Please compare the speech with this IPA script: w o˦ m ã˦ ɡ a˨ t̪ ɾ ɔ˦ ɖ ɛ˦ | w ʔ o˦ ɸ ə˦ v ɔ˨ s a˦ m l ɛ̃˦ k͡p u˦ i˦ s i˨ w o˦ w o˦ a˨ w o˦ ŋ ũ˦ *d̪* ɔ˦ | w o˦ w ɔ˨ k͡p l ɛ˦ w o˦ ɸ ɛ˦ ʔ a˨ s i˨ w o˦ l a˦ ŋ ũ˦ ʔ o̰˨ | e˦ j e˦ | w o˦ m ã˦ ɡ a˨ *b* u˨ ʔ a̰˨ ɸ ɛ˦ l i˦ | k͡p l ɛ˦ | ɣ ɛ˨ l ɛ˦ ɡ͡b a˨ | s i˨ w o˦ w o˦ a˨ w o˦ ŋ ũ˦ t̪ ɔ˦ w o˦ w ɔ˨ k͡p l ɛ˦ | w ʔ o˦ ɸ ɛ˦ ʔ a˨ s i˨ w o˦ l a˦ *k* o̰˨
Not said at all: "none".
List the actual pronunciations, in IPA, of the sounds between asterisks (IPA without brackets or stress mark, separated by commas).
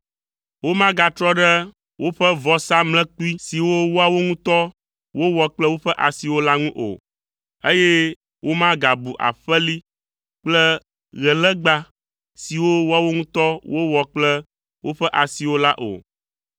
t̪, b, ʔ